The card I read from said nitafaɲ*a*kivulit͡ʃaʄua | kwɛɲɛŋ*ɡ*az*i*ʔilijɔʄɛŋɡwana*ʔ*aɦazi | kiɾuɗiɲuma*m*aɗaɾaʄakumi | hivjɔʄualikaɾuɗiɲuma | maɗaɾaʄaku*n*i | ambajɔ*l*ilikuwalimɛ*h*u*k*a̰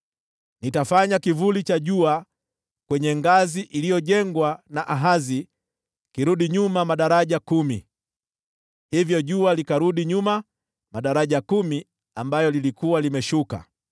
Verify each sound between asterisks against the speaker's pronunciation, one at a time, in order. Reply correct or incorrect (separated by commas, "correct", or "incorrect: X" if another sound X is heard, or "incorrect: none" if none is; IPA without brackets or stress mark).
correct, correct, correct, correct, correct, incorrect: m, correct, incorrect: ʃ, correct